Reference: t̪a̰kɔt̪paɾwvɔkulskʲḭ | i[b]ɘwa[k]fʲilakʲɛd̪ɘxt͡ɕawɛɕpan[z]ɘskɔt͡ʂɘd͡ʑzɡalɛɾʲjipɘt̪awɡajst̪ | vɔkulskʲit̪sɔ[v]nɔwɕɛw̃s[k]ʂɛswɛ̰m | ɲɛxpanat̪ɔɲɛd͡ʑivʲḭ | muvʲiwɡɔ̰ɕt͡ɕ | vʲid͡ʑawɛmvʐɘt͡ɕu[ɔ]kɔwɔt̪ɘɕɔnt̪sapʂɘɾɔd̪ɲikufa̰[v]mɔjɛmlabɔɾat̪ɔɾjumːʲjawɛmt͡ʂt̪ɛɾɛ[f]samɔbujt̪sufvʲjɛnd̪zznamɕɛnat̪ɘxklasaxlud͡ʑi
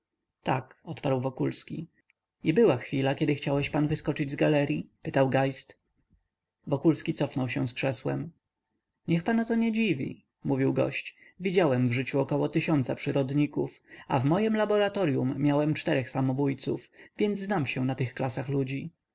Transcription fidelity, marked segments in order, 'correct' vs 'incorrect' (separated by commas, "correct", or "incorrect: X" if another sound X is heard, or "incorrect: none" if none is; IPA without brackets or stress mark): correct, incorrect: x, incorrect: v, incorrect: f, correct, correct, correct, incorrect: x